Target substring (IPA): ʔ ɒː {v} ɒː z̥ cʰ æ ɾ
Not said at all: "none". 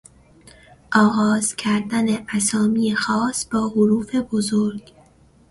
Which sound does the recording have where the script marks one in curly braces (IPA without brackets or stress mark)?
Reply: ɣ